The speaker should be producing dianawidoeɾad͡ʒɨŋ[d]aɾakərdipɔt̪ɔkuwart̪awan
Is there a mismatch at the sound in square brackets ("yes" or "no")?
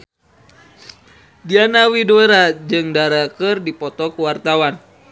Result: no